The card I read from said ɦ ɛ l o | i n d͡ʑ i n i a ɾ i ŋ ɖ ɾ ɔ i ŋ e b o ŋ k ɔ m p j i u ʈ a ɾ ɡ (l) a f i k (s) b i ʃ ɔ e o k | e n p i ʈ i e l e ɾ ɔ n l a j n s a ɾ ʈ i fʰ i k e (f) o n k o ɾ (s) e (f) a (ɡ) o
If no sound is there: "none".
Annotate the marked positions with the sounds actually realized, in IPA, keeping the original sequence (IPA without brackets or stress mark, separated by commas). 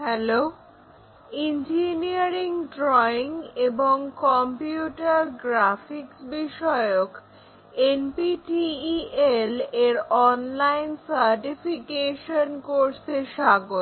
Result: ɾ, s, ʃ, s, ʃ, ɡ